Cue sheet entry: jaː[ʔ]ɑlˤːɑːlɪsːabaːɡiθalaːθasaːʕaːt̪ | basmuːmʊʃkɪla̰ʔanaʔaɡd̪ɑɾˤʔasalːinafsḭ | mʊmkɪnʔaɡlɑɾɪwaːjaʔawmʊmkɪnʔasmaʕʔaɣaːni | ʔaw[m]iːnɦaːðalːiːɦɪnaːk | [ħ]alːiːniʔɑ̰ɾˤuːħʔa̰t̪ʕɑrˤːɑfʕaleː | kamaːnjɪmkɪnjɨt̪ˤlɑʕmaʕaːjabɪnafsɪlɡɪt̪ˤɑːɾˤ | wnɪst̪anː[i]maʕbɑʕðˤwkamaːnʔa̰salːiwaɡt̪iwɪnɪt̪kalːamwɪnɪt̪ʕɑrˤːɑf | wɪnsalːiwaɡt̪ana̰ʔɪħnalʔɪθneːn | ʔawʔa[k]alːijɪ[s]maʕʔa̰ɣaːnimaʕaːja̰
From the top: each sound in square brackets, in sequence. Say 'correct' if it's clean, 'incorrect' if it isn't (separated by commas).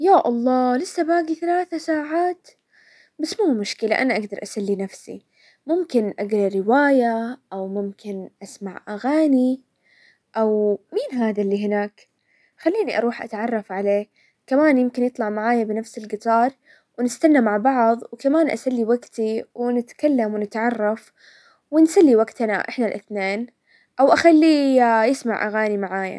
correct, correct, incorrect, incorrect, incorrect, correct